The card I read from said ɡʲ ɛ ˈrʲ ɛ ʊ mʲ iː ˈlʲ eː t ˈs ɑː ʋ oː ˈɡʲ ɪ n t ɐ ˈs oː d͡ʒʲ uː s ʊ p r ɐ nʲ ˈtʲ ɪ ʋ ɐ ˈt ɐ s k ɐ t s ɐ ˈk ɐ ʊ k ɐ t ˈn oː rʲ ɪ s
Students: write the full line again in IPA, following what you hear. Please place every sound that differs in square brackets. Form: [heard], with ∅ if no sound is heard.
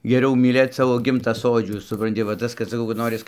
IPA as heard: ɡʲ ɛ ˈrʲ ɛ ʊ mʲ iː ˈlʲ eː t ˈs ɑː ʋ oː ˈɡʲ ɪ [m] t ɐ ˈs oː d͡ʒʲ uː s ʊ p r ɐ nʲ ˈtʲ ɪ ʋ ɐ ˈt ɐ s k ɐ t s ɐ ˈk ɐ ʊ k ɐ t ˈn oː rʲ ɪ s